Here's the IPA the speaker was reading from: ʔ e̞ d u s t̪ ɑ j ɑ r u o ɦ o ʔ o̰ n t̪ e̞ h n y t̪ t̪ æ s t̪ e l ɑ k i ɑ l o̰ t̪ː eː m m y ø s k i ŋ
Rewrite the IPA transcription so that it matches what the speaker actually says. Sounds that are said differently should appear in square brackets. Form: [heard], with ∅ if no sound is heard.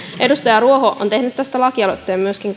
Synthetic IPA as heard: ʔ e̞ d u s t̪ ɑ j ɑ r u o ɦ o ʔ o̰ n t̪ e̞ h n y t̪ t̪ æ s t̪ [æ] l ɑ k i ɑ l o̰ t̪ː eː m m y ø s k i ŋ

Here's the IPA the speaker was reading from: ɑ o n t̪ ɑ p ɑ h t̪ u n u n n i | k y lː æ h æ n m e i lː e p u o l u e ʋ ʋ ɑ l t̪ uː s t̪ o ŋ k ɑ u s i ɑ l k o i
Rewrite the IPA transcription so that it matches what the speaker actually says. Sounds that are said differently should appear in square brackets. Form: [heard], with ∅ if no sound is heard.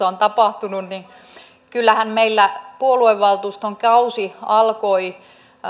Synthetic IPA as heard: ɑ o n t̪ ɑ p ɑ h t̪ u n u n n i | k y lː æ h æ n m e i lː [æ] p u o l u e ʋ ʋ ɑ l t̪ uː s t̪ o ŋ k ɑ u s i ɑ l k o i

